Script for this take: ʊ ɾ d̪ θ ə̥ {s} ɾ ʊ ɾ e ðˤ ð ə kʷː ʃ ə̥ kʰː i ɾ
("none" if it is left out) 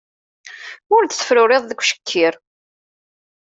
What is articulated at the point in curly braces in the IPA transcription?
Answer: f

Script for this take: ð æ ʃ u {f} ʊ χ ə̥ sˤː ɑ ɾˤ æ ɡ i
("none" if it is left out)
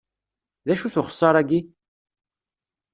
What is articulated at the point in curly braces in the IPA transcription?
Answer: θ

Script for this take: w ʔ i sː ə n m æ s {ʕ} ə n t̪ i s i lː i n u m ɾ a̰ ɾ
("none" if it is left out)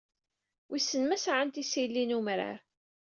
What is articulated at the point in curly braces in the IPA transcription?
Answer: ʕ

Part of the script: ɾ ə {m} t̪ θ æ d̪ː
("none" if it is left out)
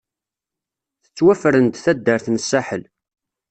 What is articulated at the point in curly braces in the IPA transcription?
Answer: n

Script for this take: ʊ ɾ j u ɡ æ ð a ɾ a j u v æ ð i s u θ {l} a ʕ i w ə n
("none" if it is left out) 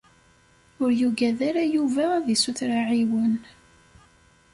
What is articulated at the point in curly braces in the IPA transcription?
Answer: ɾ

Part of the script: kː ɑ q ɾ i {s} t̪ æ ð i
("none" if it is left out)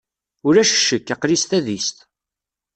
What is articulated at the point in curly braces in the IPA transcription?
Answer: s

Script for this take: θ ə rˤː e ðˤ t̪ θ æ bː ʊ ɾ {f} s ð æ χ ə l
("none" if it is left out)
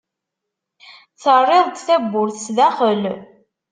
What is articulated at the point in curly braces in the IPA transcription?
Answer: θ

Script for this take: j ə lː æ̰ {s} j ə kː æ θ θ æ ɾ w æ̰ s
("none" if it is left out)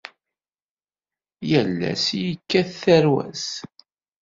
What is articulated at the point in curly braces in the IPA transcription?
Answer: s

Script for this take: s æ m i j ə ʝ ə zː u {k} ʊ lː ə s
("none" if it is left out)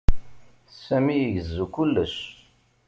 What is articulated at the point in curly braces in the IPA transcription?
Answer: k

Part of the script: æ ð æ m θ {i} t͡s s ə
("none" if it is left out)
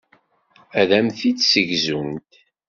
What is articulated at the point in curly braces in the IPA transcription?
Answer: i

